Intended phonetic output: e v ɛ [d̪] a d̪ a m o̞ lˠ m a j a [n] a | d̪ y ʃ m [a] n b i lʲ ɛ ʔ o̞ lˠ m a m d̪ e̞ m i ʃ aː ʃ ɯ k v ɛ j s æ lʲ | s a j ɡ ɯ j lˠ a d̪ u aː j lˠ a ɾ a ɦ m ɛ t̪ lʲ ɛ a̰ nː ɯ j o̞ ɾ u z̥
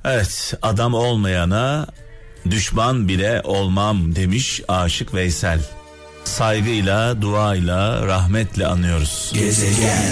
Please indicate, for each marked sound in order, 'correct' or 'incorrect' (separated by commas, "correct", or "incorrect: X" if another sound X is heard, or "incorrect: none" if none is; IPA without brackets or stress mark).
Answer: incorrect: t̪, correct, correct